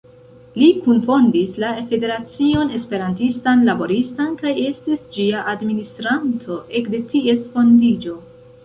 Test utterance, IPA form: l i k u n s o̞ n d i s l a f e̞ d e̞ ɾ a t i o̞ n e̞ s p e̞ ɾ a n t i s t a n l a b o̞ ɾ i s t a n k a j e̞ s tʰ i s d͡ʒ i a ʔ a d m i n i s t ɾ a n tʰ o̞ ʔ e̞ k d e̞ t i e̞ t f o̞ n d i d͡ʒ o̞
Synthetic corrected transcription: l i k u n f o̞ n d i s l a f e̞ d e̞ ɾ a t͡s i o̞ n e̞ s p e̞ ɾ a n t i s t a n l a b o̞ ɾ i s t a n k a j e̞ s t i s d͡ʒ i a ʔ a d m i n i s t ɾ a n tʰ o̞ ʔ e̞ k d e̞ t i e̞ s f o̞ n d i d͡ʒ o̞